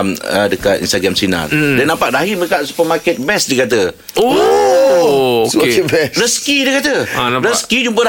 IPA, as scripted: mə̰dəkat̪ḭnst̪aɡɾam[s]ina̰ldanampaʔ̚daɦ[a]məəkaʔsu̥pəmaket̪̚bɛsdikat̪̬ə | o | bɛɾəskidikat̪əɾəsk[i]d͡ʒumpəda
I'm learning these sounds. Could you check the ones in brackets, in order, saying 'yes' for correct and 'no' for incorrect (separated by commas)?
yes, no, yes